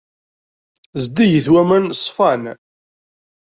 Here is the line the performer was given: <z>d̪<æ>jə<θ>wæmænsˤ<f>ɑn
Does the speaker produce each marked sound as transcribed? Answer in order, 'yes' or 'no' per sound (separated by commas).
yes, no, yes, yes